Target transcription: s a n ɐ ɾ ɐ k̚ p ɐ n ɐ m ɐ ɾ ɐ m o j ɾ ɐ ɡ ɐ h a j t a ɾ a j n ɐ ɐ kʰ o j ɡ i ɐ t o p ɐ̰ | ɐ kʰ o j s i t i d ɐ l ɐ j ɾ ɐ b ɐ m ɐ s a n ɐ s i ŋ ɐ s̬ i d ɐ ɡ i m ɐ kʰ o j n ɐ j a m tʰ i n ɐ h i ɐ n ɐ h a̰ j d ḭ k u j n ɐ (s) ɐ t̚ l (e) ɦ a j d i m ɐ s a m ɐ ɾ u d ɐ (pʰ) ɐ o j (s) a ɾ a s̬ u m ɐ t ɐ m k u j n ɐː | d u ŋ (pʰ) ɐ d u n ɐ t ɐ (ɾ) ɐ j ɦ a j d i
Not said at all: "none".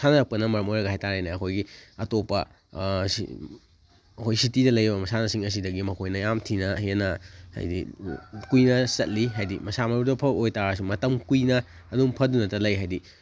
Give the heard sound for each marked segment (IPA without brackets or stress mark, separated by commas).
s, i, pʰ, t, pʰ, l